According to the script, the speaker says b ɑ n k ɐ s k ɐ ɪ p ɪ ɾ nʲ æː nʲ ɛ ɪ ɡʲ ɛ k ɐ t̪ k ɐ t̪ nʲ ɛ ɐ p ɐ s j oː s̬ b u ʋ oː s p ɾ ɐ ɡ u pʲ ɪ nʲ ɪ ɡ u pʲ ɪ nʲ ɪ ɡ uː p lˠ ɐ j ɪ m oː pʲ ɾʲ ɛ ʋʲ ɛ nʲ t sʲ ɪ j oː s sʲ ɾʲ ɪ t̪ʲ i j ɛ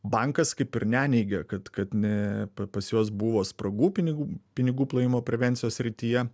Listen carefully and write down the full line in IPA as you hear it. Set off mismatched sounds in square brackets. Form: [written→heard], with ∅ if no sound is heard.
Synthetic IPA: b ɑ [n→ŋ] k ɐ s k ɐ ɪ p ɪ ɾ nʲ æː nʲ ɛ ɪ ɡʲ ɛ k ɐ t̪ k ɐ t̪ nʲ ɛ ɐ p ɐ s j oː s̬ b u ʋ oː s p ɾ ɐ ɡ [u→uː] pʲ ɪ nʲ ɪ ɡ u pʲ ɪ nʲ ɪ ɡ uː p lˠ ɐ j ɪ m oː pʲ ɾʲ ɛ ʋʲ ɛ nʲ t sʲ ɪ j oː s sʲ ɾʲ ɪ t̪ʲ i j ɛ